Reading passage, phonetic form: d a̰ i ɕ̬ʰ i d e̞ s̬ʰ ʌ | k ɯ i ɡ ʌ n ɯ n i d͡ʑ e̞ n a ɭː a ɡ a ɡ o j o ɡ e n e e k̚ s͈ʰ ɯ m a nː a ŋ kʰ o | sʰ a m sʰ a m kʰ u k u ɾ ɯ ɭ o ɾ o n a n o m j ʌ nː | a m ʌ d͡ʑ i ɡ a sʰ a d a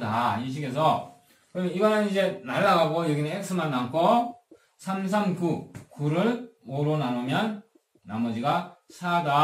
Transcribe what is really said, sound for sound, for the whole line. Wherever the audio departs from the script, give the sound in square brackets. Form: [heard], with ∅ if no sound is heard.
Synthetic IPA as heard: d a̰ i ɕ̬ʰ i [ɡ] e̞ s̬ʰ ʌ | k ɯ i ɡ ʌ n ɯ n i d͡ʑ e̞ n a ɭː a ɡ a ɡ o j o ɡ [i] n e e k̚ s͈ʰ ɯ m a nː a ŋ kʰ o | sʰ a m sʰ a m [k] u k u ɾ ɯ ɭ o ɾ o n a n o m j ʌ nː | a m ʌ d͡ʑ i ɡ a sʰ a d a